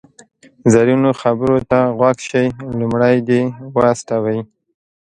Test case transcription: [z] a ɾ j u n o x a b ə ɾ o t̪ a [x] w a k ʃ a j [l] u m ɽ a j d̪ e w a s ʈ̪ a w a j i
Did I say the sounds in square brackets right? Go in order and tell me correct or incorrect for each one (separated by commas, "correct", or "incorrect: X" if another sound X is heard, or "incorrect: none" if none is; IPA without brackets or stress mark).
correct, incorrect: ɣ, correct